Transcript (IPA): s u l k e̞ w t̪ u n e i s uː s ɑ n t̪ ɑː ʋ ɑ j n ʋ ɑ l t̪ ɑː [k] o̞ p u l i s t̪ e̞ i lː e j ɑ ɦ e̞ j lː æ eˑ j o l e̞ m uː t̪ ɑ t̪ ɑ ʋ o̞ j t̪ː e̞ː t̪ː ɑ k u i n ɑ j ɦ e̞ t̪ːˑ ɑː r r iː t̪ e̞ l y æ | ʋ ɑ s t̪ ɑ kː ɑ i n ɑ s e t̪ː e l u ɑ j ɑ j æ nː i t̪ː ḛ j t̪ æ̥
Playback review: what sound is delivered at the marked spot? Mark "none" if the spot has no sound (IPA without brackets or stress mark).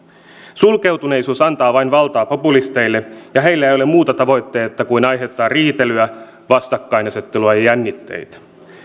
p